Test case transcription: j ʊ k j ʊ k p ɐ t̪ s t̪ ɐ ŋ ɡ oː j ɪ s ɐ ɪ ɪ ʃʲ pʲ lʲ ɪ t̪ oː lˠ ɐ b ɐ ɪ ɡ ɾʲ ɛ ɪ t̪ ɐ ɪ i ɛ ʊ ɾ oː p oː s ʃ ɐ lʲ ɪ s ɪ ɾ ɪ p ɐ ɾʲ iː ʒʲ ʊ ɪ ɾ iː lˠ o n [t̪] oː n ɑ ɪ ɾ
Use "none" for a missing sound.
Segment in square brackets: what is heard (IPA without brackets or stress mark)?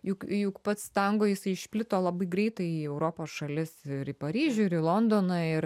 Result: d̪